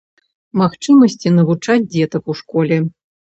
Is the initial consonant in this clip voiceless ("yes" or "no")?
no